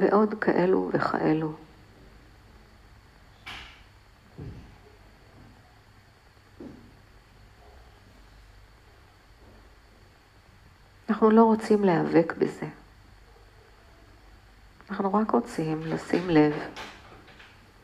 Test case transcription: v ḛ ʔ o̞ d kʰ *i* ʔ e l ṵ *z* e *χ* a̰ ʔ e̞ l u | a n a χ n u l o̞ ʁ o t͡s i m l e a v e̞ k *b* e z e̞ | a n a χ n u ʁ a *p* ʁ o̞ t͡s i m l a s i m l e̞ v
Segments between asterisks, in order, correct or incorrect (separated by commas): incorrect, incorrect, correct, correct, incorrect